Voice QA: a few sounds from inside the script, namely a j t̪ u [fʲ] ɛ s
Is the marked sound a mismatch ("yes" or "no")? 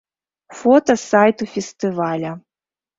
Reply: no